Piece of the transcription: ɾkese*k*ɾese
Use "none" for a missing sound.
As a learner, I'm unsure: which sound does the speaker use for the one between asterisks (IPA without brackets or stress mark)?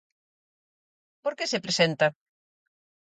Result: p